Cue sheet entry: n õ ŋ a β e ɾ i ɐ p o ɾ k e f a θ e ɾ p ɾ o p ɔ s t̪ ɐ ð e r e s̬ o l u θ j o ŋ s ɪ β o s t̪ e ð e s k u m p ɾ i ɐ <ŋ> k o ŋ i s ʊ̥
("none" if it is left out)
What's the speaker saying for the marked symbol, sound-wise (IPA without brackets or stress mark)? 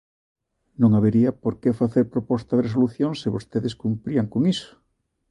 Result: ŋ